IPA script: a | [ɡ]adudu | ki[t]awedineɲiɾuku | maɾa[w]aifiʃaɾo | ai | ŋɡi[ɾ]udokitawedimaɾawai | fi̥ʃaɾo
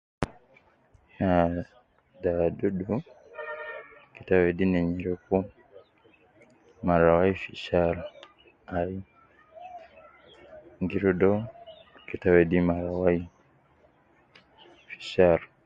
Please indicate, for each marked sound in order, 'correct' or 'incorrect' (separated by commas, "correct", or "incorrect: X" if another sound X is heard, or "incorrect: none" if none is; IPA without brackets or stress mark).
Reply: incorrect: d, correct, correct, correct